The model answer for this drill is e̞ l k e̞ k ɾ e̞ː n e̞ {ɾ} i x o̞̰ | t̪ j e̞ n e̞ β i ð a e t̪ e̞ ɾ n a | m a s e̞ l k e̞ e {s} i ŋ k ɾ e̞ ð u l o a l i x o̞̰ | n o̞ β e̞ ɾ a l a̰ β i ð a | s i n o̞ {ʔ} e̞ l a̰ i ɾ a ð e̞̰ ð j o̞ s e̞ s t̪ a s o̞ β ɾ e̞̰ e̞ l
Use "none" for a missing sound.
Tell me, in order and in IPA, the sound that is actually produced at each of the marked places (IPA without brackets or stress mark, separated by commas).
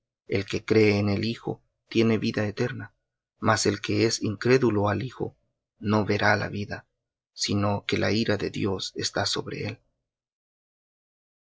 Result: l, s, k